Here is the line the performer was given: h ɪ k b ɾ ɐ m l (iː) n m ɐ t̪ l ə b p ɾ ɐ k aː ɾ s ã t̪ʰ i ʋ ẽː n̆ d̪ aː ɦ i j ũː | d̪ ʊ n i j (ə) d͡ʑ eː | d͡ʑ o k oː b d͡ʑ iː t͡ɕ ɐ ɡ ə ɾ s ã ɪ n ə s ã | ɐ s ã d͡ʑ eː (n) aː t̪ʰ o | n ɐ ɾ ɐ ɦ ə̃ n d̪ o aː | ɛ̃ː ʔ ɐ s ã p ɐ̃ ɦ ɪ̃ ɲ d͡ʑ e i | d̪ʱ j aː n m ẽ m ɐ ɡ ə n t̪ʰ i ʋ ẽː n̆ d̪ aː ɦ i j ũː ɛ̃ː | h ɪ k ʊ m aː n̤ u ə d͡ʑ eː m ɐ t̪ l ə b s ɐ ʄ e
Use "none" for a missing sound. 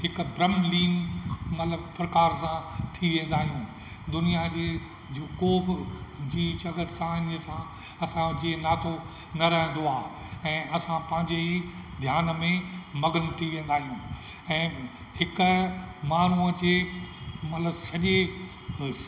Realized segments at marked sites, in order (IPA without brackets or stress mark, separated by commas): iː, a, n